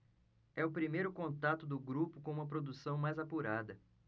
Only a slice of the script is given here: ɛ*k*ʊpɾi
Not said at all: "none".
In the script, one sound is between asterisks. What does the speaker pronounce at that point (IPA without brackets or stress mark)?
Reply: none